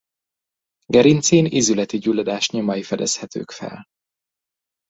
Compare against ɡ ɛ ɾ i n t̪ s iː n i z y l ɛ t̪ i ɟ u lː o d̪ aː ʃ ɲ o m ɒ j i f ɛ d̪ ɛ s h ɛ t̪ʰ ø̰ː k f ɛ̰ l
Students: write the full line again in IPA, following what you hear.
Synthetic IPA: ɡ ɛ ɾ i n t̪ s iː n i z y l ɛ t̪ i ɟ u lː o d̪ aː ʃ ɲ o m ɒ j i f ɛ d̪ ɛ s h ɛ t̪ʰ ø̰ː k f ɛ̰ l